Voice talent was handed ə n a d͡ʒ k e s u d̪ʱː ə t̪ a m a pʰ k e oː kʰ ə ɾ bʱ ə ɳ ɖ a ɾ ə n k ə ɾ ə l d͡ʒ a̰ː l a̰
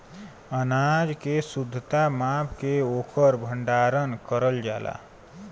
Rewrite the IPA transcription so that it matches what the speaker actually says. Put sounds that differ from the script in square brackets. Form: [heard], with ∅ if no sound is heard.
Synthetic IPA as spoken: ə n a d͡ʒ k e s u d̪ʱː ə t̪ a m a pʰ k e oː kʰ ə ɾ bʱ ə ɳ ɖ a ɾ ə n k ə ɾ ə l d͡ʒ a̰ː l a̰